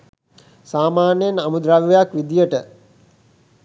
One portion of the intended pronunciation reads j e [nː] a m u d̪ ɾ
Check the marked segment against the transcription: incorrect: n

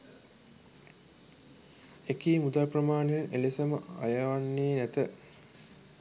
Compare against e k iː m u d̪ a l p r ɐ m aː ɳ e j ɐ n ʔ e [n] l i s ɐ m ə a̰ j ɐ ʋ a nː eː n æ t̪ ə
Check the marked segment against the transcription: incorrect: none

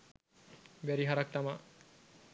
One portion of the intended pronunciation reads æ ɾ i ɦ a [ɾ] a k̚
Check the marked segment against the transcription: correct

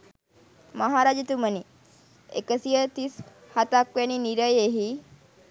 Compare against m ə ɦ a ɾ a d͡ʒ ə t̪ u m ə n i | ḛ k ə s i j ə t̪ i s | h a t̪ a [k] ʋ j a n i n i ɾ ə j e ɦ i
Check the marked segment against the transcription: correct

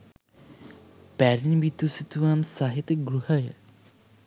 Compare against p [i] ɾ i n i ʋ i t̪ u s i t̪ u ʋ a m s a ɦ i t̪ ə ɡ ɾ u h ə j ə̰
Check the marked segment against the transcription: incorrect: æ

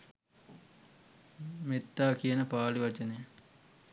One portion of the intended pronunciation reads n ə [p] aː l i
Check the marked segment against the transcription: correct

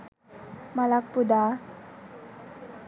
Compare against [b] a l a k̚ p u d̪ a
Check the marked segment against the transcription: incorrect: m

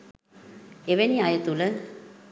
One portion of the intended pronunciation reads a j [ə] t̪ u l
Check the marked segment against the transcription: correct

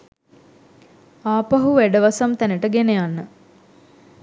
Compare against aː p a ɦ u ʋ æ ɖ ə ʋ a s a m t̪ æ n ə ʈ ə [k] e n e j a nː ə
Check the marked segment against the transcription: incorrect: ɡ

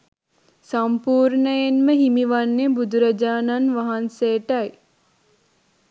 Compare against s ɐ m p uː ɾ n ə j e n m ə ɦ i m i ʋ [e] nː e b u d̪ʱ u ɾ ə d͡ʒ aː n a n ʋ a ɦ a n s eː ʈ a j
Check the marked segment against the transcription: incorrect: a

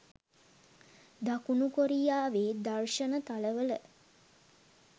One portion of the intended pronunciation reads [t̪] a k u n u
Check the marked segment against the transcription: incorrect: d̪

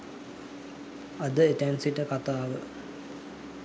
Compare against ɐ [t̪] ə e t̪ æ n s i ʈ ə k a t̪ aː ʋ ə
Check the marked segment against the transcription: incorrect: d̪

